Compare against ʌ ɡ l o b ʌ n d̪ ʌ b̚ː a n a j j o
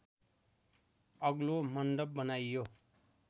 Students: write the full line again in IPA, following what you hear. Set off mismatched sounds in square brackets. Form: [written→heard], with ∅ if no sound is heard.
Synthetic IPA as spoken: ʌ ɡ l o [b→m] ʌ n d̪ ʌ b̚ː [a→ʌ] n a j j o